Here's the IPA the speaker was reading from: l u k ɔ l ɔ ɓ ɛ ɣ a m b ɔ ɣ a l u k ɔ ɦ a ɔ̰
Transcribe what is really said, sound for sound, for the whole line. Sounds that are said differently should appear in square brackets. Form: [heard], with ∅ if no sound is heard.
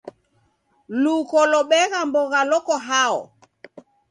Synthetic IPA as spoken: l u k ɔ l ɔ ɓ ɛ ɣ a m b ɔ ɣ a l [ɔ] k ɔ ɦ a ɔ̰